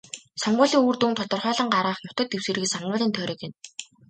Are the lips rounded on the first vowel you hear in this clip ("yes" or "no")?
yes